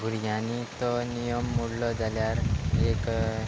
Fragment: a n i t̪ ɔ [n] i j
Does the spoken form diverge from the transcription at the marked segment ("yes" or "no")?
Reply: no